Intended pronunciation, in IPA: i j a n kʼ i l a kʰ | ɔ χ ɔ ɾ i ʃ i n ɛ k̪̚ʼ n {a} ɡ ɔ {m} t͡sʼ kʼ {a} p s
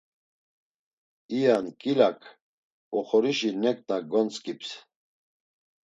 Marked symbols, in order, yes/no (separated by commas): yes, no, no